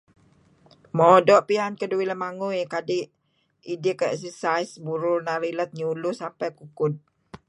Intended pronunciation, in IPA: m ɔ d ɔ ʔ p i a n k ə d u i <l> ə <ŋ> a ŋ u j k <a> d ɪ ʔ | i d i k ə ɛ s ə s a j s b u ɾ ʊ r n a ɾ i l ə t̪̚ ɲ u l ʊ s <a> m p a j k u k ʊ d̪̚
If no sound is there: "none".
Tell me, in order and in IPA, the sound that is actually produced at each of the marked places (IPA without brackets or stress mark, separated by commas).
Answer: l, m, a, a